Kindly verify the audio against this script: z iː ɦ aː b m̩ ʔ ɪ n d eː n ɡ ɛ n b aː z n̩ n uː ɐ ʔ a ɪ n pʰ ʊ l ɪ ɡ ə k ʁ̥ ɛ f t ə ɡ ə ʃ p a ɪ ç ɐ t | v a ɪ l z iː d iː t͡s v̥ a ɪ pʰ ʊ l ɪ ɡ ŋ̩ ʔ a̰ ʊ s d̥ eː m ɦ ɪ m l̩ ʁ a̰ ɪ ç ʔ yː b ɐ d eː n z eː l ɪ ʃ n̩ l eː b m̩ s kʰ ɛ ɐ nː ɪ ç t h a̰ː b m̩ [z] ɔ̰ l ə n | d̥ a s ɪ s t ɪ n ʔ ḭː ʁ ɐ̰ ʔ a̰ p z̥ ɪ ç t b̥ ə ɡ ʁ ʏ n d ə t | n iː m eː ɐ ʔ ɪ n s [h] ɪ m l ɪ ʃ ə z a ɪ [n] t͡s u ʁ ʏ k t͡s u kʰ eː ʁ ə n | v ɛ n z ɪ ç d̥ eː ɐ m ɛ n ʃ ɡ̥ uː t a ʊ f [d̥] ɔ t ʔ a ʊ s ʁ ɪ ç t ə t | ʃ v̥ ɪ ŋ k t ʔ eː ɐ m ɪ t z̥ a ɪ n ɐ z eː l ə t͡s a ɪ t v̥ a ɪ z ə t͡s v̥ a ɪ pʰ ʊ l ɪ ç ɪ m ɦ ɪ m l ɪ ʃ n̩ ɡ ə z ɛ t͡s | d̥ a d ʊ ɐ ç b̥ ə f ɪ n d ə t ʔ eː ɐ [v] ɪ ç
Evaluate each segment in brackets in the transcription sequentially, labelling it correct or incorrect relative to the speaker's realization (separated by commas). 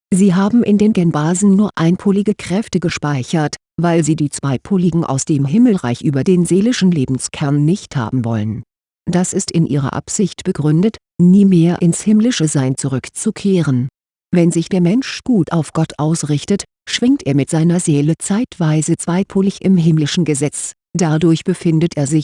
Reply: incorrect, correct, correct, incorrect, incorrect